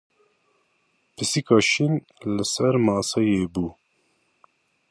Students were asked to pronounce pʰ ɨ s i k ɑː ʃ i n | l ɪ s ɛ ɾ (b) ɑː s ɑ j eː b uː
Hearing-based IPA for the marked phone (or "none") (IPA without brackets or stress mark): m